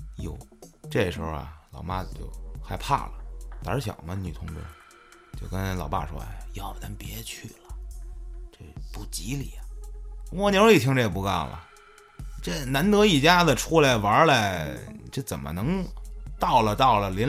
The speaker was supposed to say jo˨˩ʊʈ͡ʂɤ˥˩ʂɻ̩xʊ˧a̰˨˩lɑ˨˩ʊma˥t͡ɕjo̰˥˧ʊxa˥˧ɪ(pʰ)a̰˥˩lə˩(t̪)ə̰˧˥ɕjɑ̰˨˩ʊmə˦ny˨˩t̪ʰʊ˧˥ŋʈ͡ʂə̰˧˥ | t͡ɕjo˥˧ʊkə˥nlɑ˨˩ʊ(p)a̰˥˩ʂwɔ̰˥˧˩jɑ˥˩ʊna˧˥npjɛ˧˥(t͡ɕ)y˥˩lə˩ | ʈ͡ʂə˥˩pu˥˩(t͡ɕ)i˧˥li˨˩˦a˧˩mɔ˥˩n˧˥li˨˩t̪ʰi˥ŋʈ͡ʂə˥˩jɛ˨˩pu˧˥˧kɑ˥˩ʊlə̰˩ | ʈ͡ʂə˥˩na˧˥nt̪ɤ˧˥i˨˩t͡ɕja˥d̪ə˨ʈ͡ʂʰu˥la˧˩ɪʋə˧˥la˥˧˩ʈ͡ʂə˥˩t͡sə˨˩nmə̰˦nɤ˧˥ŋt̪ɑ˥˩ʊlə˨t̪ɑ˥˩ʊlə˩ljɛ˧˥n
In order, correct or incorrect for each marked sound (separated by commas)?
correct, correct, correct, incorrect, correct